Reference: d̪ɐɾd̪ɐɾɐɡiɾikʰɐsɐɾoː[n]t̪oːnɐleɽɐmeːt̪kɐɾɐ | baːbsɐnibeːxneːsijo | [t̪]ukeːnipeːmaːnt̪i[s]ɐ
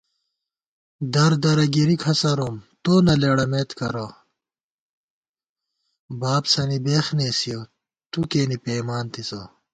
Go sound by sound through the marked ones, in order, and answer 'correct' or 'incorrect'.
incorrect, correct, correct

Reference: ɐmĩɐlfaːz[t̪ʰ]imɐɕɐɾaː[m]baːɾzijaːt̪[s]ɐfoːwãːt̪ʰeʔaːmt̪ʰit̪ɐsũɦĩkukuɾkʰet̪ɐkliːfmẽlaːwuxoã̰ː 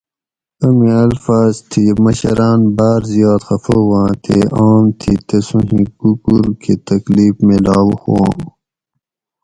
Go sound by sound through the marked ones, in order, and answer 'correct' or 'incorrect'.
correct, incorrect, incorrect

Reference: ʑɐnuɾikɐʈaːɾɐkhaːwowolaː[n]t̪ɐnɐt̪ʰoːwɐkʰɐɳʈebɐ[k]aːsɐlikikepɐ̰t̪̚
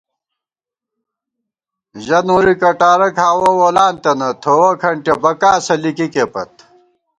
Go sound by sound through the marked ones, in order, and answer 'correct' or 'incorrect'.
correct, correct

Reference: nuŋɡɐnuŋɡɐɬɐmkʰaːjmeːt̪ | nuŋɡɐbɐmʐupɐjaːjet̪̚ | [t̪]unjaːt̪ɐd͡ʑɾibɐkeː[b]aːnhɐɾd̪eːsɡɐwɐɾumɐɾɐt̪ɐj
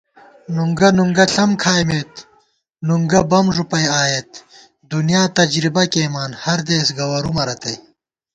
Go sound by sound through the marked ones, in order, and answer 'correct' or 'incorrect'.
incorrect, incorrect

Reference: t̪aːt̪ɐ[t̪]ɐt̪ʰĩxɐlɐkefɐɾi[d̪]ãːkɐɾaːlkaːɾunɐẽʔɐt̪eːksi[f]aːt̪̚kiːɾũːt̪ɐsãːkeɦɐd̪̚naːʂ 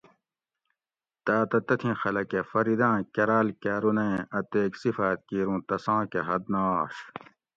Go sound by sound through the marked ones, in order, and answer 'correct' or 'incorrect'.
correct, correct, correct

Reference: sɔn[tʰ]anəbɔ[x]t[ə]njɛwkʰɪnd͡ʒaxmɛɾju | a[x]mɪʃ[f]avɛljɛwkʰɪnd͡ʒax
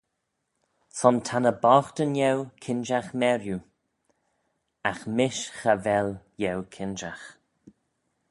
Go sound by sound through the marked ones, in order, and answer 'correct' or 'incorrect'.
correct, correct, correct, correct, incorrect

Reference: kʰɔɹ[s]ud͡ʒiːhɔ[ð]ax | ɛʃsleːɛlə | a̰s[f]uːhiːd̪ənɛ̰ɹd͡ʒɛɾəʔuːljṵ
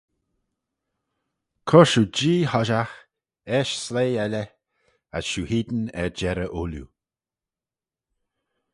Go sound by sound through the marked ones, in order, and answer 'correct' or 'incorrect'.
incorrect, incorrect, incorrect

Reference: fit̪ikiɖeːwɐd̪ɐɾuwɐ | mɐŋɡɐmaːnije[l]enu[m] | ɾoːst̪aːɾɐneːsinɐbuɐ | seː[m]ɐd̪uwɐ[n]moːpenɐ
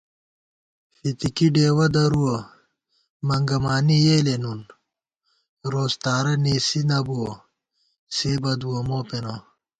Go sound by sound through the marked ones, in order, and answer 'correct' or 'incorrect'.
correct, incorrect, incorrect, incorrect

